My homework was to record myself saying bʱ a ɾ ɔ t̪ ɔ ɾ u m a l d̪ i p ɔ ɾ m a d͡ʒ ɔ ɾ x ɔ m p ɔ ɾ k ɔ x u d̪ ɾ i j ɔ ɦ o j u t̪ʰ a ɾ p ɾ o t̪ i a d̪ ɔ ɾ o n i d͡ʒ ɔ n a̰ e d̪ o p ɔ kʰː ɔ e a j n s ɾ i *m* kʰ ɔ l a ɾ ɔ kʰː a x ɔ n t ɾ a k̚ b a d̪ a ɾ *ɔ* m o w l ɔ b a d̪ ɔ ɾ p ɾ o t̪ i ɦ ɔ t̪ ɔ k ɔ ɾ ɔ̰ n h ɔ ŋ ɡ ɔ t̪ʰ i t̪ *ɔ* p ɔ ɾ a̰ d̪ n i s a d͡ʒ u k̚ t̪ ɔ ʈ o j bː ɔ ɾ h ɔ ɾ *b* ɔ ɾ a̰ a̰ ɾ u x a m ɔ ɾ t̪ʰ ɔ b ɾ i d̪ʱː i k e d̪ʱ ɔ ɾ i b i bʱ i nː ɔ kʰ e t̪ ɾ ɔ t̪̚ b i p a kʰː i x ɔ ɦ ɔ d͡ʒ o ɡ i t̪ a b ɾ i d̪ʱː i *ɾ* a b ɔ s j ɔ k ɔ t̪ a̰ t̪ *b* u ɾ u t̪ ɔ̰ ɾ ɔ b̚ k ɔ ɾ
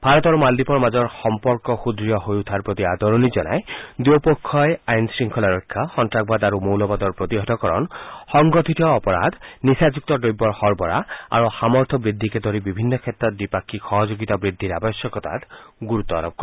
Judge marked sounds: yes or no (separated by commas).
no, no, no, yes, yes, no